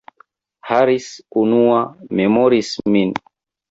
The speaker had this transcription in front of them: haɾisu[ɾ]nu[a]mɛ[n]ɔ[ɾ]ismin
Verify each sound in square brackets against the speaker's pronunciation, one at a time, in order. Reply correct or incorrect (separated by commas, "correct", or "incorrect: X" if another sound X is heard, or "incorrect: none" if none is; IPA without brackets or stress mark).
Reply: incorrect: none, correct, incorrect: m, correct